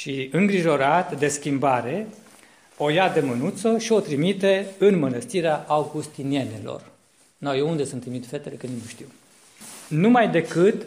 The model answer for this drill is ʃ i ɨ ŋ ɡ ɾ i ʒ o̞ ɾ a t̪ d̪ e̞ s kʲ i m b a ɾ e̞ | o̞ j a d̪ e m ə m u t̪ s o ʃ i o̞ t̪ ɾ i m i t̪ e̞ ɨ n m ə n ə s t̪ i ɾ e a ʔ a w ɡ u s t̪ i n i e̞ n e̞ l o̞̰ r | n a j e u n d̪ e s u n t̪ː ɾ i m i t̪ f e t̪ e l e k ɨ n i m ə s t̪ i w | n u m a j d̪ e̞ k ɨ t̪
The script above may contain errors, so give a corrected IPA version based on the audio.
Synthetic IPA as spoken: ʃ i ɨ ŋ ɡ ɾ i ʒ o̞ ɾ a t̪ d̪ e̞ s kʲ i m b a ɾ e̞ | o̞ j a d̪ e m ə n u t̪ s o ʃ i o̞ t̪ ɾ i m i t̪ e̞ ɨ n m ə n ə s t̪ i ɾ e a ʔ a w ɡ u s t̪ i n i e̞ n e̞ l o̞̰ r | n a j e u n d̪ e s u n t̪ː ɾ i m i t̪ f e t̪ e l e k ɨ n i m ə ʃ t̪ i w | n u m a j d̪ e̞ k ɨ t̪